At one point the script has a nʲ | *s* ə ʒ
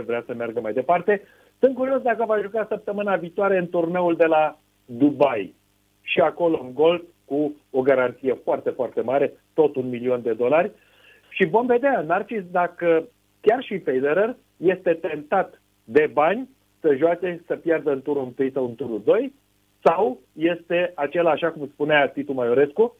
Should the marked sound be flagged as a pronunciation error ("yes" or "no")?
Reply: no